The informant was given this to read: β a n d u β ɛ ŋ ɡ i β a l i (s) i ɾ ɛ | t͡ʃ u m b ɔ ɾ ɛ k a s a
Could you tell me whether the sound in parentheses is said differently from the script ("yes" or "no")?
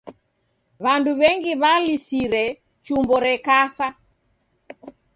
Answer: no